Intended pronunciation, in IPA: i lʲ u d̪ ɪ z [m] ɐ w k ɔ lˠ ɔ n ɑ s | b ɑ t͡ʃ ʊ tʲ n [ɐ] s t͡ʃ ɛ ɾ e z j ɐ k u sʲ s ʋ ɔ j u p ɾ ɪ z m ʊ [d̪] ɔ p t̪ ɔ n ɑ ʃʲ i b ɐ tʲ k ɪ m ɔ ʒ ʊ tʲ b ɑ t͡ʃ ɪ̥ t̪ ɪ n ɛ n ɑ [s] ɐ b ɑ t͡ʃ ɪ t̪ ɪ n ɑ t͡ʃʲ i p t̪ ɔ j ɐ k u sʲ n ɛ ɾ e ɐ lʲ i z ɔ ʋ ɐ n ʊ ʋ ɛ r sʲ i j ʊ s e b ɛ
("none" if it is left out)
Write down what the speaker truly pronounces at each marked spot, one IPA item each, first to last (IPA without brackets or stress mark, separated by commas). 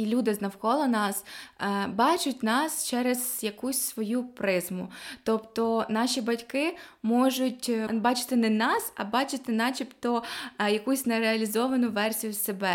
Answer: n, ɑ, t̪, s